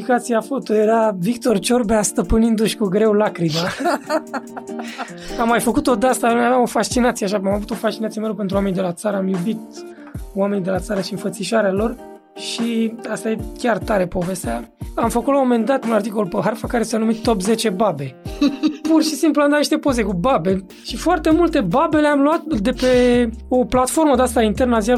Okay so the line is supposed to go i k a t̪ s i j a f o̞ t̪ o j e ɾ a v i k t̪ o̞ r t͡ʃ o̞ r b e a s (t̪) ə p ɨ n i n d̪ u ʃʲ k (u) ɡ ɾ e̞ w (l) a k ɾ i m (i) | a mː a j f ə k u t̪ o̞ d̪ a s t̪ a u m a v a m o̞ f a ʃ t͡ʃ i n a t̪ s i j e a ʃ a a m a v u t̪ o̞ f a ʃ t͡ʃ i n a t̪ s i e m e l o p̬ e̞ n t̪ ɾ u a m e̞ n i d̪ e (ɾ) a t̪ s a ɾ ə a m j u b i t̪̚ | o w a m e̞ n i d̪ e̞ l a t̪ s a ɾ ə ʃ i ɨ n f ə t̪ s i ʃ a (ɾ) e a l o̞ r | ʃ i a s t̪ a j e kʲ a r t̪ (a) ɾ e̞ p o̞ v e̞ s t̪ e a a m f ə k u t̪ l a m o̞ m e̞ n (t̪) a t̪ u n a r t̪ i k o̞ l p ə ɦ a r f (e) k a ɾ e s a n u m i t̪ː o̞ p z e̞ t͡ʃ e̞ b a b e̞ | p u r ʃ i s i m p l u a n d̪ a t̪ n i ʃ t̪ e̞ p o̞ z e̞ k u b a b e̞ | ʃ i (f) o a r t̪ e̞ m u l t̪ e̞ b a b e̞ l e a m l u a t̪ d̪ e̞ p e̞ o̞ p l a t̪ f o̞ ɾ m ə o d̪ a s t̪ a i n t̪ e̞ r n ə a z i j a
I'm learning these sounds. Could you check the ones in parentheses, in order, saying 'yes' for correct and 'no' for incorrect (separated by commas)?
yes, yes, yes, no, no, yes, yes, no, no, yes